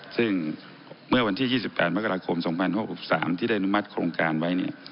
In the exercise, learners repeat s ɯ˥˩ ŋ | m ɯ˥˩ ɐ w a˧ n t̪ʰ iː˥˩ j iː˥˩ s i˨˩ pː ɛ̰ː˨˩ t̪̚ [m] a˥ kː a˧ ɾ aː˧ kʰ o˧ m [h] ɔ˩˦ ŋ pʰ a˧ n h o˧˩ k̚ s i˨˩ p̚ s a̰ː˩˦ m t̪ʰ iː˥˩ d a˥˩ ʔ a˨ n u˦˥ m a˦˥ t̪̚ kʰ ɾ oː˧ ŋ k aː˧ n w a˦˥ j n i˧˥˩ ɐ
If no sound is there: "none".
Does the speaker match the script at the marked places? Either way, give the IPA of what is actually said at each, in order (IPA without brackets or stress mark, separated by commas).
m, s